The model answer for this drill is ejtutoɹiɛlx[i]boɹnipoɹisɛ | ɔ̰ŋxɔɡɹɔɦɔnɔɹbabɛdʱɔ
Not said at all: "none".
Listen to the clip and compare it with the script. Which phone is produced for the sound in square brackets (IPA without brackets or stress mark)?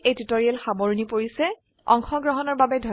a